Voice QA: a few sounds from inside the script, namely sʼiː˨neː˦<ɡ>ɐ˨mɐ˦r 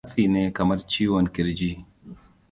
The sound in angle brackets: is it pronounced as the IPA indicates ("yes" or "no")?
no